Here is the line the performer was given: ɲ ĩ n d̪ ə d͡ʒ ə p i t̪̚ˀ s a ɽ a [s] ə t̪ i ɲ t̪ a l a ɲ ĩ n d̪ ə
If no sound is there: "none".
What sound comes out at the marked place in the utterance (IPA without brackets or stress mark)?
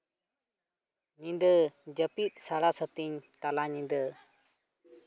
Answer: s